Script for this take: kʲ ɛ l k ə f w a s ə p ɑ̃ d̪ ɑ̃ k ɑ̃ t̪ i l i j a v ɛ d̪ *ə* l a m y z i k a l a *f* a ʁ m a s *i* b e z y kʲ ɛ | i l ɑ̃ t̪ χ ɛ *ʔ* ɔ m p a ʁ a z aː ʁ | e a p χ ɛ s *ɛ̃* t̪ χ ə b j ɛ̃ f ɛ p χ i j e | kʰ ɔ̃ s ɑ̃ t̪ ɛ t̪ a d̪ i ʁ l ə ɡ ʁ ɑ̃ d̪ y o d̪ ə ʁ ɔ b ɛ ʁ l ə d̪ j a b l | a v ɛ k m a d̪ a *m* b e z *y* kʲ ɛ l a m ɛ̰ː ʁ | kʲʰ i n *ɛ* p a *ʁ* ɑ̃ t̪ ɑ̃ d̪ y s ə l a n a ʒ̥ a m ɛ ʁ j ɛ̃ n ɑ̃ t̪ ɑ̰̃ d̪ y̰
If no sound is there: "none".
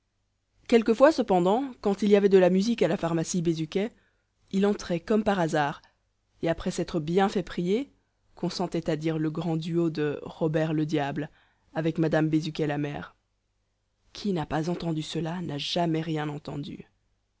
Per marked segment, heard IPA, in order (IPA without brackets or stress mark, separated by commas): ə, f, i, k, ɛ, m, y, a, z